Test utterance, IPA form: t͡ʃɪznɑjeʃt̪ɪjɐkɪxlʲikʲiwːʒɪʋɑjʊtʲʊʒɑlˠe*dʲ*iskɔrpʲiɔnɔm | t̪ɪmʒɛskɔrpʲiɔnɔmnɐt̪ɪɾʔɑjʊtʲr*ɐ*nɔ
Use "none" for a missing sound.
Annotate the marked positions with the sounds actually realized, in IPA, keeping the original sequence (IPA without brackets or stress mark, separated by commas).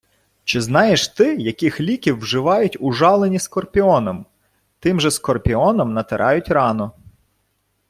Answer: nʲ, ɑ